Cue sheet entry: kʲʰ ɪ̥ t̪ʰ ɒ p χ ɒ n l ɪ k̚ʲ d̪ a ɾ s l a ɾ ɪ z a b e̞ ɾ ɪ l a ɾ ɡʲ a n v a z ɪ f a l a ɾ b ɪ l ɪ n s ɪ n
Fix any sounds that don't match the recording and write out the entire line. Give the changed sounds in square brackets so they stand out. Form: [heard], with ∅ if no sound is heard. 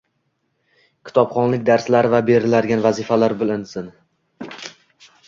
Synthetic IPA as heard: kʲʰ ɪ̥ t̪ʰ ɒ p χ ɒ n l ɪ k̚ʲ d̪ a ɾ s l a ɾ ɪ [v] a b e̞ ɾ ɪ l a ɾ ɡʲ a n v a z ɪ f a l a ɾ b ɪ l ɪ n s ɪ n